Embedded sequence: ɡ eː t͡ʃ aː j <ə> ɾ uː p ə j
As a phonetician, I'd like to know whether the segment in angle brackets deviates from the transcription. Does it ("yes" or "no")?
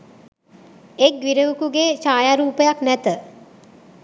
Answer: yes